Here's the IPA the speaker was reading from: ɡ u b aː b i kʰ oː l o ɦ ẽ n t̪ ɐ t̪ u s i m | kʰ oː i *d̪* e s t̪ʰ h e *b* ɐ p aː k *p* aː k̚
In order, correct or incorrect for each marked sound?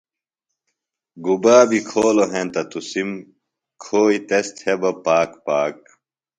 incorrect: t̪, correct, correct

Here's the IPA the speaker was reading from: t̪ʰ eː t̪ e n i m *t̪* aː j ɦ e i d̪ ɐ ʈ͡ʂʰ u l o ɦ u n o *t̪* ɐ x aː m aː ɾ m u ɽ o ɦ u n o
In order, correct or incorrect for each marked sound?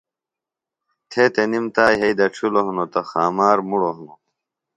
correct, correct

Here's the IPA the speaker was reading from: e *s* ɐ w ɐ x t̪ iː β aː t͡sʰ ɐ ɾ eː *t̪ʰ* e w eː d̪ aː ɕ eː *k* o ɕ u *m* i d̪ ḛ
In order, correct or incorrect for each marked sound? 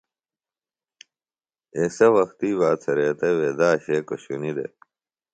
correct, incorrect: t̪, correct, incorrect: n

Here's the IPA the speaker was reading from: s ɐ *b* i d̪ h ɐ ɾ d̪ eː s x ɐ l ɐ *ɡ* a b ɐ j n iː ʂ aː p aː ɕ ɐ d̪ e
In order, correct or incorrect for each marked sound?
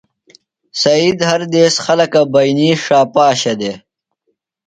incorrect: none, incorrect: k

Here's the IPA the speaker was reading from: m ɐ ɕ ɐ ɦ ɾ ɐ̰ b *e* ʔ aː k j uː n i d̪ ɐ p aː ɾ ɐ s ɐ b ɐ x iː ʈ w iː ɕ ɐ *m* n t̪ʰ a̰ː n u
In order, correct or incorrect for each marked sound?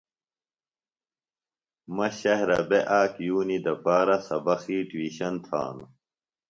correct, incorrect: none

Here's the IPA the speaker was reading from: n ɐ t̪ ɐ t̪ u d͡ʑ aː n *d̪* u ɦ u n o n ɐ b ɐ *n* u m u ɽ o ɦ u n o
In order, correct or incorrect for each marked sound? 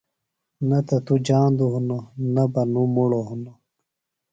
correct, correct

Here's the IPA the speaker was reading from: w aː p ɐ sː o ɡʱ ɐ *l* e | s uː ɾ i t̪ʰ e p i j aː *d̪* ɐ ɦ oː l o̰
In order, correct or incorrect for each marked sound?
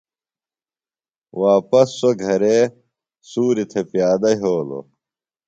incorrect: ɾ, correct

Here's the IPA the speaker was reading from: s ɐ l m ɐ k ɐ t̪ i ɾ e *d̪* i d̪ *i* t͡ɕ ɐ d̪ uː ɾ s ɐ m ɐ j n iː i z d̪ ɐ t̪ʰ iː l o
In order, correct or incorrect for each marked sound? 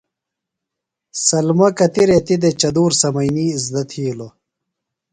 incorrect: t̪, incorrect: e

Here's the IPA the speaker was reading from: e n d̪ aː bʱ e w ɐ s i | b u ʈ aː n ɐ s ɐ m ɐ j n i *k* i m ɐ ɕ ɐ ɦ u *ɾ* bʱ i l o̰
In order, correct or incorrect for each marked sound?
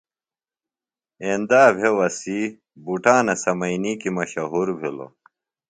correct, correct

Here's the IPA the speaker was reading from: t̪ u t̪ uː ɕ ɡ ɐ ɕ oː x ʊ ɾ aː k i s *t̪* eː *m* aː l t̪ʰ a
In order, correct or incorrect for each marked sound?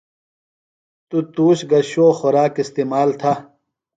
correct, correct

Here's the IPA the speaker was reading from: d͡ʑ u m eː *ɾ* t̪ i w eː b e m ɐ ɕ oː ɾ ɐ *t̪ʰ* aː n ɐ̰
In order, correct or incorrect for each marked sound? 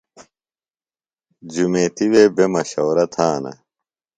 incorrect: none, correct

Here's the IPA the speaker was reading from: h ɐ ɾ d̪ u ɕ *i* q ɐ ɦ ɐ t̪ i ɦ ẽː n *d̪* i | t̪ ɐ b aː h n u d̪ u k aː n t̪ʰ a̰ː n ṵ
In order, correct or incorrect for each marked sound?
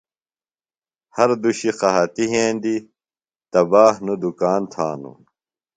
correct, correct

